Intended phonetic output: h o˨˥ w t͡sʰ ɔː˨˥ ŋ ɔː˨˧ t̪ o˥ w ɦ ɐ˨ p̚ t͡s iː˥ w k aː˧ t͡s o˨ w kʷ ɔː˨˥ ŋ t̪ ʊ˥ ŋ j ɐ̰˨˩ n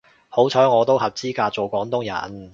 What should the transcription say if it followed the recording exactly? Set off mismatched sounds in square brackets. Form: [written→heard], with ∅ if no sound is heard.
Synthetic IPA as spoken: h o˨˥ w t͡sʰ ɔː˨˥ ŋ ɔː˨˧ t̪ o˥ w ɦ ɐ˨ p̚ t͡s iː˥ [w→∅] k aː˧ t͡s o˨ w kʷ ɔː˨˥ ŋ t̪ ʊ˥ ŋ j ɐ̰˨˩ n